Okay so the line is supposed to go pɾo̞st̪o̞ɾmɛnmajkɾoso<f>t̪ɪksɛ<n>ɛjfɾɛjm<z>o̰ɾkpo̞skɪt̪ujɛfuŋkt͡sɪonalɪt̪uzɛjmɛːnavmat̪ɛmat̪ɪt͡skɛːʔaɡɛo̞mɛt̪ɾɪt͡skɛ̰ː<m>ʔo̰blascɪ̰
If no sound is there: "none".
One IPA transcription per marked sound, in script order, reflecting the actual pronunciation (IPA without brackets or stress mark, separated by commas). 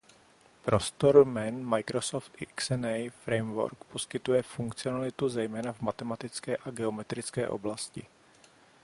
f, n, v, none